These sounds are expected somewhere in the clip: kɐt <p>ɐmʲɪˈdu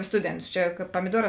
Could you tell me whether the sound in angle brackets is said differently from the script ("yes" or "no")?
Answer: no